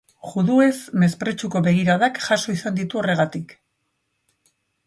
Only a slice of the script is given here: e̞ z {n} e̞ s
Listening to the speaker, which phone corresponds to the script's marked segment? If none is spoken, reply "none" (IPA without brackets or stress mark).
m